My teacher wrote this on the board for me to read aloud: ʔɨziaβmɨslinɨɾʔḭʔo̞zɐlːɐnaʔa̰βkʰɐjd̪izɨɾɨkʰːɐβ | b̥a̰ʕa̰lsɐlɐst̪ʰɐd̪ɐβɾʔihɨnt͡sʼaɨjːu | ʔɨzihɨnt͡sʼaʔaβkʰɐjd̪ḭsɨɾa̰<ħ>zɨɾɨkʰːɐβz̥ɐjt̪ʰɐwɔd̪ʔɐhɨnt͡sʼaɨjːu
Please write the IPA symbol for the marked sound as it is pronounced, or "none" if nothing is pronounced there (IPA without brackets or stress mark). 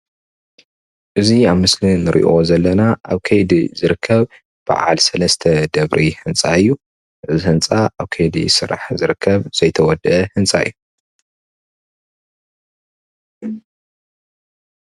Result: ħ